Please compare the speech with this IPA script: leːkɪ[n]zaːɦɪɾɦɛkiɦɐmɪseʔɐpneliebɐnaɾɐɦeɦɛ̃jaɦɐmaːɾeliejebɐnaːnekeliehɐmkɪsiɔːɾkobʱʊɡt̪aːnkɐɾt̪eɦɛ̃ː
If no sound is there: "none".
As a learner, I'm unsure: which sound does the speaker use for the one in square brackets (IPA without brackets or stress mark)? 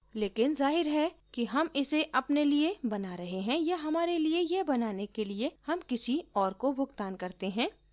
n